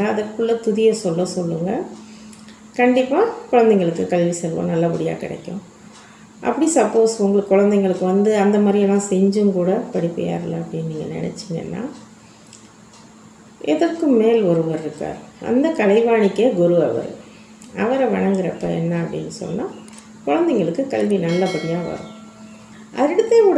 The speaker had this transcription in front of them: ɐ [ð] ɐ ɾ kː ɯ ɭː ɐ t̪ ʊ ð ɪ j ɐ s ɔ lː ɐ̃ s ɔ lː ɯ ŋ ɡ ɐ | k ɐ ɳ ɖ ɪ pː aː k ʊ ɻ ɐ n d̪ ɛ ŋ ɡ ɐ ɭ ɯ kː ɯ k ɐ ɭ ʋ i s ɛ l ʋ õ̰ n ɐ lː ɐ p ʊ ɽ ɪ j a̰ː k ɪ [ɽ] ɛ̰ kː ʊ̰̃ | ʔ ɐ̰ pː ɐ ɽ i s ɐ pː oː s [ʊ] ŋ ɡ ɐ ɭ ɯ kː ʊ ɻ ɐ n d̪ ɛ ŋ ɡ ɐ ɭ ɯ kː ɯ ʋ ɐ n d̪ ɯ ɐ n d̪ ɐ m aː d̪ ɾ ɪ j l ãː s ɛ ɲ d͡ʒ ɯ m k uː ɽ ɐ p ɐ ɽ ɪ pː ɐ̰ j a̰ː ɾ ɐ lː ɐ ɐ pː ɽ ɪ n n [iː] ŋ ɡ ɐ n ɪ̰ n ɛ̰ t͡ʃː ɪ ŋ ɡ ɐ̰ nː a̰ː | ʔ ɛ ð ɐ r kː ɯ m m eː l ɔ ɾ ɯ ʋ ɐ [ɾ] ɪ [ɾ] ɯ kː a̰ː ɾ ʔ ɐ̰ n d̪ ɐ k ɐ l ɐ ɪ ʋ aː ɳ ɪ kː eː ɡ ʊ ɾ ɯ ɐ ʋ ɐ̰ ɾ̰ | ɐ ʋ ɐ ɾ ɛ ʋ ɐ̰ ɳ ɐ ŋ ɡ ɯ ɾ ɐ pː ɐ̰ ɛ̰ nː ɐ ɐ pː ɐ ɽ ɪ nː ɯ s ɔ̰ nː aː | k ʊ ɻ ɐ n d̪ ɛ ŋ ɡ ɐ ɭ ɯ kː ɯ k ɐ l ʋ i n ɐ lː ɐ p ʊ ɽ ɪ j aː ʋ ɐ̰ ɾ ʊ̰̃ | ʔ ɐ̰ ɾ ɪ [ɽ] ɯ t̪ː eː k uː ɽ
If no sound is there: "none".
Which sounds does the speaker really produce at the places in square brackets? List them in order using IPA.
ð, ɽ, ʊ, iː, ɾ, ɾ, ɽ

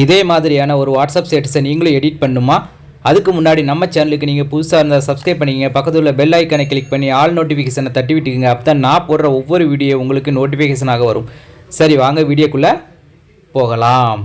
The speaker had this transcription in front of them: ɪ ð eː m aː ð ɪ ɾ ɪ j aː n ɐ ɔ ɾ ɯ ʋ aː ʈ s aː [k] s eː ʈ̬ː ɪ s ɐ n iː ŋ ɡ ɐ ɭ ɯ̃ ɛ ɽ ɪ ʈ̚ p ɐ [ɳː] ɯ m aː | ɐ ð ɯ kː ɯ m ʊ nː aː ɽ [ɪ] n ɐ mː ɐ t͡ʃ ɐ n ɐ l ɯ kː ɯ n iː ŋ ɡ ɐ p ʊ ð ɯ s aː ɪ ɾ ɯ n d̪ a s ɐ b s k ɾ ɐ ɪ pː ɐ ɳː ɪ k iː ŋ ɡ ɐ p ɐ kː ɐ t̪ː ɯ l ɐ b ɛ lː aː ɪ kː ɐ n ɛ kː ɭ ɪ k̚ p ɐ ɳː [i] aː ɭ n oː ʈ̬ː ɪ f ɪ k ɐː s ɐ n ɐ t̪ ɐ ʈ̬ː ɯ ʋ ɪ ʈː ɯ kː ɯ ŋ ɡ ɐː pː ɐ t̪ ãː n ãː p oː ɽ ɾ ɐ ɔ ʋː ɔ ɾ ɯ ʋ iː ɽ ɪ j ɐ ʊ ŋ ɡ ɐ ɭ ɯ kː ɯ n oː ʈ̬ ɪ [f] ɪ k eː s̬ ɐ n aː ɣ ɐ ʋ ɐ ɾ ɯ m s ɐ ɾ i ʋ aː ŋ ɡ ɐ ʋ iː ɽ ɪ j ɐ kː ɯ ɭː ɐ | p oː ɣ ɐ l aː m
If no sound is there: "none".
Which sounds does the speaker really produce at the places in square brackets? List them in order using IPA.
p, ɳː, i, i, f

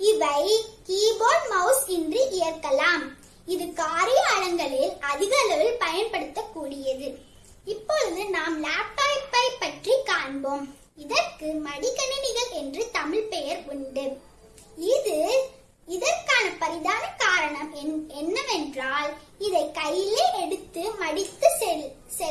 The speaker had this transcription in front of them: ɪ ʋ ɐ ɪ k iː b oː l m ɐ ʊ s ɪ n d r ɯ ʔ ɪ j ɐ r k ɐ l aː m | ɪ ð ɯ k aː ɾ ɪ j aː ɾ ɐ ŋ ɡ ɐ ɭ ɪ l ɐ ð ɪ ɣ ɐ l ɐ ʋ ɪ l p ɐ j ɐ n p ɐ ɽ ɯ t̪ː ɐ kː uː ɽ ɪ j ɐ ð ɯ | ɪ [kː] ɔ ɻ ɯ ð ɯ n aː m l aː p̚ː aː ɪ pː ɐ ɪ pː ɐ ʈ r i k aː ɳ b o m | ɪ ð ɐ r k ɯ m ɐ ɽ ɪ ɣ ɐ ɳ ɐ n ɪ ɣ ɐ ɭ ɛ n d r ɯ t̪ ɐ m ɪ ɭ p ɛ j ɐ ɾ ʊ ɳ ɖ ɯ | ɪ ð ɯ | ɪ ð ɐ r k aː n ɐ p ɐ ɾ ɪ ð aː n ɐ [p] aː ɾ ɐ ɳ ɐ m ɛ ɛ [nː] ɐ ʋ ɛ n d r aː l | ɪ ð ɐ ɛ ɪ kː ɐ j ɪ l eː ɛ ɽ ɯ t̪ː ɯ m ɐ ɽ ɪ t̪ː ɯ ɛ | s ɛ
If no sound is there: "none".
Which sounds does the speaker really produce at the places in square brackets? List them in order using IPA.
pː, k, nː

